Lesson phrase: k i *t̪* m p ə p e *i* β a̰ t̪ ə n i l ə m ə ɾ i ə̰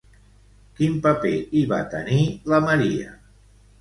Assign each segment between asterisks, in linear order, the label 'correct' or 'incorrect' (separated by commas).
incorrect, correct